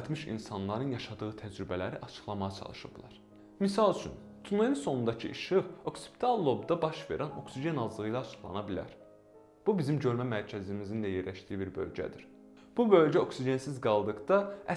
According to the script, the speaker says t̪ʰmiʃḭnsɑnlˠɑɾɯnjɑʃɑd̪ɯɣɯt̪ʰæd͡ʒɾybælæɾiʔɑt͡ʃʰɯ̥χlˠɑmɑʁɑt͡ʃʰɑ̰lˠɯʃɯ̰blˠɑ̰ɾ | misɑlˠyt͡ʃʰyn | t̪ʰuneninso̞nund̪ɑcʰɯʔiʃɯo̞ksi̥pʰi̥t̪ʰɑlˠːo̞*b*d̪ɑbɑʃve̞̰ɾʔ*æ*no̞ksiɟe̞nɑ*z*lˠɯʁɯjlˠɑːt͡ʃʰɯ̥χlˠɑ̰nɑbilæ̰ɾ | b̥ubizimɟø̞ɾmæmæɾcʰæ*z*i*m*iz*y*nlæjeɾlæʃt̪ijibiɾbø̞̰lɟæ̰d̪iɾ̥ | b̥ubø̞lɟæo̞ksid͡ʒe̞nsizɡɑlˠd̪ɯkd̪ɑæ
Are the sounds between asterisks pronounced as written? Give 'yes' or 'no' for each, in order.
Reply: yes, yes, yes, yes, yes, no

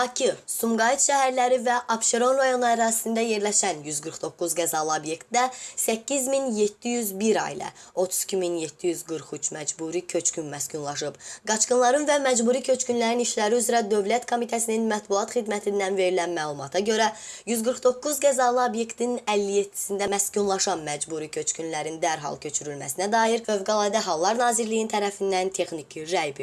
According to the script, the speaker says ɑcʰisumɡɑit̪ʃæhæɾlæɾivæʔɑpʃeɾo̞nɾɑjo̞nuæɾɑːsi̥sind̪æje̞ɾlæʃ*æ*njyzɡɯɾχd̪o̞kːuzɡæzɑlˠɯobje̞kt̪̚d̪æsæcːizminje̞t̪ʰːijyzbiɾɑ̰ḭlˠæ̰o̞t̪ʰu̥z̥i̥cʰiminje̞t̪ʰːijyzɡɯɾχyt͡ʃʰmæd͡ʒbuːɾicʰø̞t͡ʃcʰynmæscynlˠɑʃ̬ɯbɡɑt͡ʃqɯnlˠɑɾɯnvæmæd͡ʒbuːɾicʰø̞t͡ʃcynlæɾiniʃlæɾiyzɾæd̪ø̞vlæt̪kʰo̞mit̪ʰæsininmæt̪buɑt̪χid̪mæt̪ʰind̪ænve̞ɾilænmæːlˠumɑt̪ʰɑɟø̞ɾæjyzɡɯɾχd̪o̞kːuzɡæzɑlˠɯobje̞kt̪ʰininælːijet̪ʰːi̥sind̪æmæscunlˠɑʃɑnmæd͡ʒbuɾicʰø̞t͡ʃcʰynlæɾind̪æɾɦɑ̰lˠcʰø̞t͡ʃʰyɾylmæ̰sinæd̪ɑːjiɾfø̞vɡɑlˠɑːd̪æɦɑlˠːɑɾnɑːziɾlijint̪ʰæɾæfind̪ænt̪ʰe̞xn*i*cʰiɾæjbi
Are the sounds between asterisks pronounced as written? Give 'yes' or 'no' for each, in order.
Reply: yes, yes

